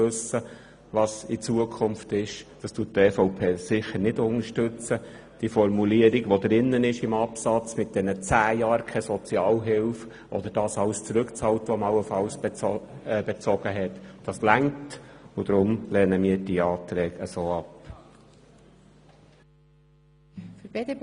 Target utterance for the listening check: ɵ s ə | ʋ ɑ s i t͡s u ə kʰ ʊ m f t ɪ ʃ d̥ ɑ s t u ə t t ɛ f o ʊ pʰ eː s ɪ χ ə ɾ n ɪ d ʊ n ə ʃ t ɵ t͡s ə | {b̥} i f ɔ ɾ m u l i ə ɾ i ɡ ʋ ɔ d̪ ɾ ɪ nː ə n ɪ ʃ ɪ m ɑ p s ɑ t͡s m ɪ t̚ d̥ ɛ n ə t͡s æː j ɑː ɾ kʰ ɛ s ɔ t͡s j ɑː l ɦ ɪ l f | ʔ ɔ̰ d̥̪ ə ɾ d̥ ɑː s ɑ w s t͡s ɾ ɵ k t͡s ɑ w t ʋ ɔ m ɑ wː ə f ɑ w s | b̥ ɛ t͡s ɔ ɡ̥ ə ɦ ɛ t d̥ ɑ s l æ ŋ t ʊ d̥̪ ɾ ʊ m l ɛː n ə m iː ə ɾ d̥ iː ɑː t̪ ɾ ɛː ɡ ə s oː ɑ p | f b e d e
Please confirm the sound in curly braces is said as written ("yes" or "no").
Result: no